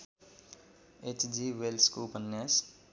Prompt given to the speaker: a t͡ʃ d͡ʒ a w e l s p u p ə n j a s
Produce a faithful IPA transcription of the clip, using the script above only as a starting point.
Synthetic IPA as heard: e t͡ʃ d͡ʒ i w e l s k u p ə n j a s